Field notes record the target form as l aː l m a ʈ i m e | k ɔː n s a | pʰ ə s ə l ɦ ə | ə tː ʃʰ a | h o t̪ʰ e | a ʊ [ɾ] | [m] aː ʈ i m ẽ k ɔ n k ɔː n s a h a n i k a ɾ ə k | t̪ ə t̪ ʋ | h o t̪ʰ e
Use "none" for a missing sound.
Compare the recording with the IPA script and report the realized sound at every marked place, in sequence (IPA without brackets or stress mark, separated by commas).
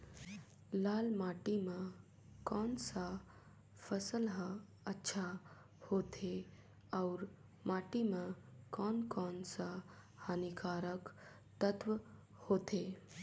ɾ, m